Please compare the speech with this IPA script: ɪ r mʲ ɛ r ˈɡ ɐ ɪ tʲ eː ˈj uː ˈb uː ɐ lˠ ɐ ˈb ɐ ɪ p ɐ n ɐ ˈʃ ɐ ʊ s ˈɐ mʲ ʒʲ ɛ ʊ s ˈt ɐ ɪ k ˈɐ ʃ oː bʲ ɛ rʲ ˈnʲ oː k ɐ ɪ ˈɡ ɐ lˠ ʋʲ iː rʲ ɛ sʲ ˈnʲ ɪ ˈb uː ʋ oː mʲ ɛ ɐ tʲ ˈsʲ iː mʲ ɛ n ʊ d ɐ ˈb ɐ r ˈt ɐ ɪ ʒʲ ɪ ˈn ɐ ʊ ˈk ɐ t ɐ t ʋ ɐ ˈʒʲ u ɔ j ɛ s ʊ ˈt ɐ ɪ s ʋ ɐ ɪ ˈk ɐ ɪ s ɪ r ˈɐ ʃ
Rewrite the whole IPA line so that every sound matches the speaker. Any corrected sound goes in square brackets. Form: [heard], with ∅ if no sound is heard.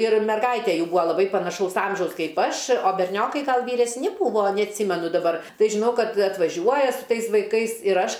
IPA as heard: ɪ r mʲ ɛ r ˈɡ ɐ ɪ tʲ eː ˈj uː ˈb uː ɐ lˠ ɐ ˈb ɐ ɪ p ɐ n ɐ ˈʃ ɐ ʊ s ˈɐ mʲ ʒʲ ɛ ʊ s [ˈk] ɐ ɪ [p] ˈɐ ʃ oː bʲ ɛ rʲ ˈnʲ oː k ɐ ɪ ˈɡ ɐ lˠ ʋʲ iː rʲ ɛ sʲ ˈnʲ ɪ ˈb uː ʋ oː [nʲ] ɛ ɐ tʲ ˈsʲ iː mʲ ɛ n ʊ d ɐ ˈb ɐ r ˈt ɐ ɪ ʒʲ ɪ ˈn ɐ ʊ ˈk ɐ t ɐ t ʋ ɐ ˈʒʲ u ɔ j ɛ s ʊ ˈt ɐ ɪ s ʋ ɐ ɪ ˈk ɐ ɪ s ɪ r ˈɐ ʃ